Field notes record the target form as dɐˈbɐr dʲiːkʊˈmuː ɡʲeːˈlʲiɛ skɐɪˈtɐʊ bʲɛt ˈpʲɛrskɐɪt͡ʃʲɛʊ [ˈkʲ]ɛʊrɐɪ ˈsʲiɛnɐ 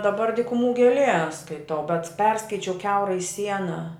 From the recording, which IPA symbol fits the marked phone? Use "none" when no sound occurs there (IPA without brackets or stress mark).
kʲ